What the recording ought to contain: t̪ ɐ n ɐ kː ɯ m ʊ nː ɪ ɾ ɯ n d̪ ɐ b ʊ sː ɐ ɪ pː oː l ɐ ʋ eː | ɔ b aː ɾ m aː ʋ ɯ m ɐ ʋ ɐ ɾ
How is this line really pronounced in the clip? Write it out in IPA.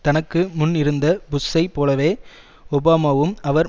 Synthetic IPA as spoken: t̪ ɐ n ɐ kː ɯ m ʊ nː ɪ ɾ ɯ n d̪ ɐ b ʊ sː ɐ ɪ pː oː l ɐ ʋ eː | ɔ b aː m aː ʋ ɯ m ɐ ʋ ɐ ɾ